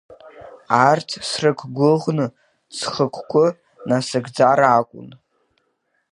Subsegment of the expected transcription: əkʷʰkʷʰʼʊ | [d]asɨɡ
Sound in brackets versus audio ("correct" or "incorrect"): incorrect